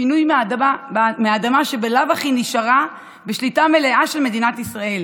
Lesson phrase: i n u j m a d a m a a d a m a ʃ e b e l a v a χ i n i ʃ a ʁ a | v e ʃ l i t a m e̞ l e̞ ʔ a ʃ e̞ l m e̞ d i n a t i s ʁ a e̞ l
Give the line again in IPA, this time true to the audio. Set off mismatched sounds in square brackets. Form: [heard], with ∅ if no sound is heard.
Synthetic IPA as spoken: i n u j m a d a m [e] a d a m a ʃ e b e l a v a χ i n i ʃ a ʁ a | [b] e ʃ l i t a m e̞ l e̞ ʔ a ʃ e̞ l m e̞ d i n a t i s ʁ a e̞ l